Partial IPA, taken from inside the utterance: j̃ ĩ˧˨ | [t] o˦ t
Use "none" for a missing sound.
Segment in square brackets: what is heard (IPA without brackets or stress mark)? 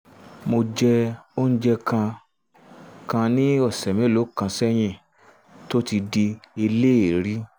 t